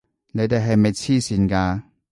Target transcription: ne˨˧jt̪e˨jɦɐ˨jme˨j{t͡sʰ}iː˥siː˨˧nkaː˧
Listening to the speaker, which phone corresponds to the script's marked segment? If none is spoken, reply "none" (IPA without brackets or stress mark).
t͡sʰ